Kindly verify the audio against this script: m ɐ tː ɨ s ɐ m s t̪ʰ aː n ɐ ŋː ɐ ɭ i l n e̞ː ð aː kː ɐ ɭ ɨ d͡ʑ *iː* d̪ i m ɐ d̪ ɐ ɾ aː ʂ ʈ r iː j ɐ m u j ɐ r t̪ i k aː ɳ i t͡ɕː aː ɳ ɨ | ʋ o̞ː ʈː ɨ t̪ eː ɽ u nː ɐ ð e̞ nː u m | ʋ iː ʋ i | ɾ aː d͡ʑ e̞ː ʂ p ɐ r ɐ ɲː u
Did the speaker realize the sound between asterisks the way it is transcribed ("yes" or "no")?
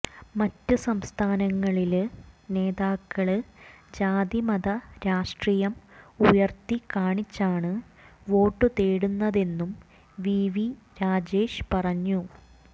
no